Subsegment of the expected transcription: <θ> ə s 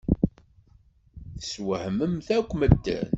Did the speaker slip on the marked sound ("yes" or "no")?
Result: no